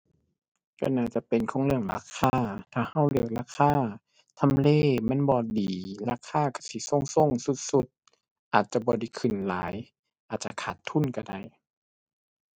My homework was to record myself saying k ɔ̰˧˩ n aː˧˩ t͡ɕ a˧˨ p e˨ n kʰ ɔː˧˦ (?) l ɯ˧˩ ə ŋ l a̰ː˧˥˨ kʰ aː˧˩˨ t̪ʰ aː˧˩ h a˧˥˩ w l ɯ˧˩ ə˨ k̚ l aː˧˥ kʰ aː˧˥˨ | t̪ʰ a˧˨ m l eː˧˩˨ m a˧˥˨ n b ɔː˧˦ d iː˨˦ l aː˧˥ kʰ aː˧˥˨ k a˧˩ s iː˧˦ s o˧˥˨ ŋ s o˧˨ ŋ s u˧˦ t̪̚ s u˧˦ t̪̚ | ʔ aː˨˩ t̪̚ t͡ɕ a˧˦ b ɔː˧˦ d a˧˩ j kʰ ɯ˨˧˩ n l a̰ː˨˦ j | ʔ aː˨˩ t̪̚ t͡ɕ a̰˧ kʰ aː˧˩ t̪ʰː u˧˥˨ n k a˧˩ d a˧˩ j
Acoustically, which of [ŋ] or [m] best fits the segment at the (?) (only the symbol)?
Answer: ŋ